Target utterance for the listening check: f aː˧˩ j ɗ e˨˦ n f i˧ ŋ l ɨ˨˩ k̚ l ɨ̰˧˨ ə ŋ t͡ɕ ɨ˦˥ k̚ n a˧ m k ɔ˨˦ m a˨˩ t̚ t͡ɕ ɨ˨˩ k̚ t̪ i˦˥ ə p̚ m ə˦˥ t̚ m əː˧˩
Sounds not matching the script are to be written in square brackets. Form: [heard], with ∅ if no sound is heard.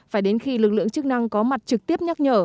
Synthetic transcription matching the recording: f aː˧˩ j ɗ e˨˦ n [x] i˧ [∅] l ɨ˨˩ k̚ l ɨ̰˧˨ ə ŋ t͡ɕ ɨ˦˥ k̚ n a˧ [ŋ] k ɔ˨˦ m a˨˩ t̚ t͡ɕ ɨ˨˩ k̚ t̪ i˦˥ ə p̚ [ɲ] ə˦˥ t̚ [ɲ] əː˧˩